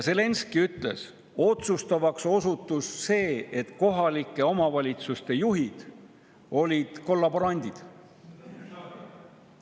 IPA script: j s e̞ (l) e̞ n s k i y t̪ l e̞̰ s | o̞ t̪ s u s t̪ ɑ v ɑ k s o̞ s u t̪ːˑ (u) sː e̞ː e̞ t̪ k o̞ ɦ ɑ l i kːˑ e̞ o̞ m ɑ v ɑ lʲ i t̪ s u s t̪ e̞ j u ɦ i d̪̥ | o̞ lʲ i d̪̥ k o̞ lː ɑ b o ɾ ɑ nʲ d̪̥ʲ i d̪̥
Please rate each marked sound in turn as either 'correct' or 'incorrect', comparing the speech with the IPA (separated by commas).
correct, correct